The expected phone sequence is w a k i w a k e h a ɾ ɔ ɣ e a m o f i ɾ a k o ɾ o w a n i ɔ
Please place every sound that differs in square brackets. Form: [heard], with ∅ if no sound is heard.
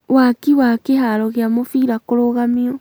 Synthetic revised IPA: w a k i w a k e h a ɾ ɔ ɣ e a m o f i ɾ a k o ɾ o [ɣ] a [m] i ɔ